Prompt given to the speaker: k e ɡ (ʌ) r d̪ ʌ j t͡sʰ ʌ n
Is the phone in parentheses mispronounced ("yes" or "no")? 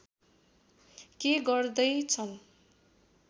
no